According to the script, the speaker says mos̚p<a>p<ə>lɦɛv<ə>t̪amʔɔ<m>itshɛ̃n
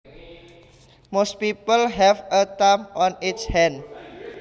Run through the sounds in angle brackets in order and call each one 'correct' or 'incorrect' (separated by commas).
incorrect, correct, correct, incorrect